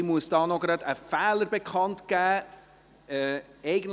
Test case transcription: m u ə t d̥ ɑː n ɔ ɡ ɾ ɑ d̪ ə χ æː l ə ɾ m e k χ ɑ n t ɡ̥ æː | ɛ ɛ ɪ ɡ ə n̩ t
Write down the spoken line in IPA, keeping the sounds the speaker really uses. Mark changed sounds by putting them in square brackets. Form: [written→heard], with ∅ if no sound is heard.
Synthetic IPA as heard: m u ə [t→s] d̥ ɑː n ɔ ɡ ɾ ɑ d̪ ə [χ→f] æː l ə ɾ [m→b] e k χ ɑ n t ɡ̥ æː | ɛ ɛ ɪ ɡ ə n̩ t